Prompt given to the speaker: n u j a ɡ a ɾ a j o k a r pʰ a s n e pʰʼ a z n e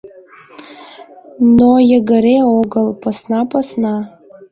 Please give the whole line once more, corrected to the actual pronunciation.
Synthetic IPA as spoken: n o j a ɡ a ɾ e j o ɡ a l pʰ a s n a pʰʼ a s n a